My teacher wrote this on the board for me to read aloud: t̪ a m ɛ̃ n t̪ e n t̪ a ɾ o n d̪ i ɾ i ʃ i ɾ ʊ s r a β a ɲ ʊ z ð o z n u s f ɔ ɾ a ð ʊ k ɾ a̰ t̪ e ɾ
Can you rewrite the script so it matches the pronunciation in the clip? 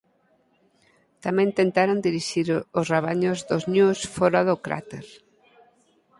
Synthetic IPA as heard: t̪ a m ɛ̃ n t̪ e n t̪ a ɾ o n d̪ i ɾ i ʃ i ɾ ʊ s r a β a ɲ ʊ z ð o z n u s f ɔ ɾ a ð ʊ k ɾ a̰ t̪ e ɾ